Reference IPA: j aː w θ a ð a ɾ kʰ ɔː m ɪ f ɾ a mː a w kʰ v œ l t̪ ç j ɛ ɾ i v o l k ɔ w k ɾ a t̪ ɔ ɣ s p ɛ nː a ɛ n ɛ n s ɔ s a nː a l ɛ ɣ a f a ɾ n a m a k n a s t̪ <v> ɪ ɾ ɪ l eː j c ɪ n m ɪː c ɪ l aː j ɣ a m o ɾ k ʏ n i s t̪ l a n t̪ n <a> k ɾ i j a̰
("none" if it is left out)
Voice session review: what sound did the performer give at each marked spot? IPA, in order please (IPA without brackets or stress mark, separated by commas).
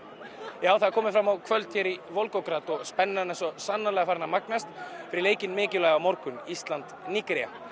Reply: f, i